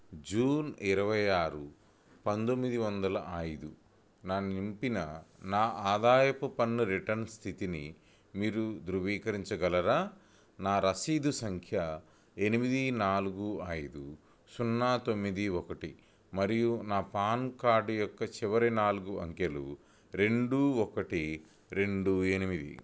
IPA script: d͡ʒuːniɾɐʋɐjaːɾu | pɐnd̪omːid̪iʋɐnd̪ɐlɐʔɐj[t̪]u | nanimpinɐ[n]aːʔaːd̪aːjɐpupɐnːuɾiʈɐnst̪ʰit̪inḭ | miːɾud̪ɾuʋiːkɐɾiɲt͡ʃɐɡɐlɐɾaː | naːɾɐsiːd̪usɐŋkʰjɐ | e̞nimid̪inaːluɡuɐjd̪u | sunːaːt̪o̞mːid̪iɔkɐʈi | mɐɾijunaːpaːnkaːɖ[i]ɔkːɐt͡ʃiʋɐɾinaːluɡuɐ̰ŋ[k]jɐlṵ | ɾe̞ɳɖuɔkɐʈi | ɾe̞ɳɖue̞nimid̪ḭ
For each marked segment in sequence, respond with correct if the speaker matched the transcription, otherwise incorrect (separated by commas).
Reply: incorrect, correct, incorrect, correct